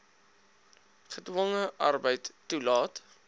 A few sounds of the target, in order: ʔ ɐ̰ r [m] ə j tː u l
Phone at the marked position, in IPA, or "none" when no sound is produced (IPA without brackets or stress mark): b